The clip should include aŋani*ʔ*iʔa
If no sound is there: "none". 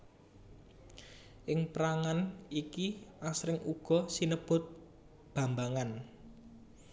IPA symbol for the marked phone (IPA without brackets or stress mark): k